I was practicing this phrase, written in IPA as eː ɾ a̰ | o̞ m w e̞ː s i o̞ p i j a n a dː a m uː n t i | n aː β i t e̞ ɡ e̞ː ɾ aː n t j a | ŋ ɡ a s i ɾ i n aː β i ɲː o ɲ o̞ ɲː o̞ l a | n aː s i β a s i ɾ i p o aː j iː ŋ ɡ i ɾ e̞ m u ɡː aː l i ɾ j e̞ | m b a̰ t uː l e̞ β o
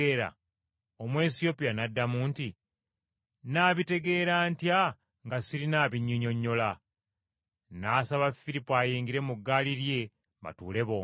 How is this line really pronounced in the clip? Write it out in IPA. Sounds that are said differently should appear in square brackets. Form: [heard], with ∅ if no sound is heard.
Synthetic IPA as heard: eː ɾ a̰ | o̞ m w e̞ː s i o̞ p i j a n a dː a m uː n t i | n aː β i t e̞ ɡ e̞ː ɾ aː n t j a | ŋ ɡ a s i ɾ i n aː β i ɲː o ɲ o̞ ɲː o̞ l a | n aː s [a] β a [f] i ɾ i p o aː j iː ŋ ɡ i ɾ e̞ m u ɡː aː l i ɾ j e̞ | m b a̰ t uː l e̞ β o